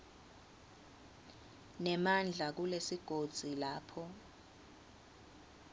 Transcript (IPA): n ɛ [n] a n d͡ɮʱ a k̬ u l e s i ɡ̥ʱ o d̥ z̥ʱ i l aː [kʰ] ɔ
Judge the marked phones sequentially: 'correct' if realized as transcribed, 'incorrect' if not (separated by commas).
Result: incorrect, incorrect